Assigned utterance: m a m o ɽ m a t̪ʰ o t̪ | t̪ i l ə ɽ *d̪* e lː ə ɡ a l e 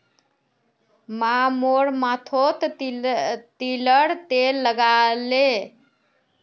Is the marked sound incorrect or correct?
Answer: incorrect